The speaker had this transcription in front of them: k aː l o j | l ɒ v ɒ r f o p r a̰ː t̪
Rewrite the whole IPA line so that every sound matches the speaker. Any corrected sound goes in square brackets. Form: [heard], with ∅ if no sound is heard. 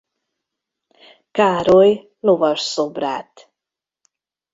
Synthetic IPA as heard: k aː [ɾ] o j | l [o] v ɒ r [s] o [b] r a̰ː t̪